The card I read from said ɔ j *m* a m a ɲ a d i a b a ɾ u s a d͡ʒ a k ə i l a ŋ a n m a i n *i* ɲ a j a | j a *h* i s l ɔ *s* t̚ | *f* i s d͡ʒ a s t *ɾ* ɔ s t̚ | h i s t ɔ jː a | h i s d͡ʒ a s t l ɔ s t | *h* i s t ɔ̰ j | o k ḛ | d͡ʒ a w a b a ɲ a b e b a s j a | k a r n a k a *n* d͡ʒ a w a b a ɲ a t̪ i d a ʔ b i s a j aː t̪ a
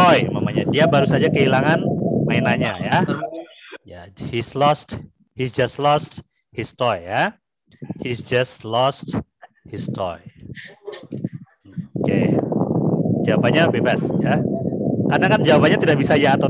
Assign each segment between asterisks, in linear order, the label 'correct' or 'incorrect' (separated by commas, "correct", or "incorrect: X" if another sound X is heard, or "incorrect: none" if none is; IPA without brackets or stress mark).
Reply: correct, incorrect: a, correct, correct, incorrect: h, incorrect: l, correct, correct